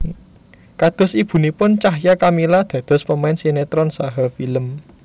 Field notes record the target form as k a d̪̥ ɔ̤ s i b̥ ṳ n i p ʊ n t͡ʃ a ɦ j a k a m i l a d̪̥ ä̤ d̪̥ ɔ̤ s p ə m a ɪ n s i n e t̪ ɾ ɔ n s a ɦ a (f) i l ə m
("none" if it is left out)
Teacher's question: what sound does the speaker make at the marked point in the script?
f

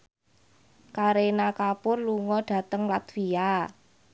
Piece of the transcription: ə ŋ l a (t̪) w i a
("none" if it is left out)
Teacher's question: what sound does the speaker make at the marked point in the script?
t̪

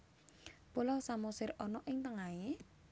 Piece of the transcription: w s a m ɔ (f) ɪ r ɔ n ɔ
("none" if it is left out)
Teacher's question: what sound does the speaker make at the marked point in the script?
s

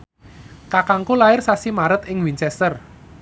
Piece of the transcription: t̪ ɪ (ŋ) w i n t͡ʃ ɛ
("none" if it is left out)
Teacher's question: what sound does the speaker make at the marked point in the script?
ŋ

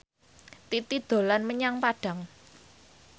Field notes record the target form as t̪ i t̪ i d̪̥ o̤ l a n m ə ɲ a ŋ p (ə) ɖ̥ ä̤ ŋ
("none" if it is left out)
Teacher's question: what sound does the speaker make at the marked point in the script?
a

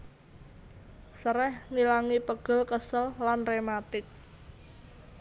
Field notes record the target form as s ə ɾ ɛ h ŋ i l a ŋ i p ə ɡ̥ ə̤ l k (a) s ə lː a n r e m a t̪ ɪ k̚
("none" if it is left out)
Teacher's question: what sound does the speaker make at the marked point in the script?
ə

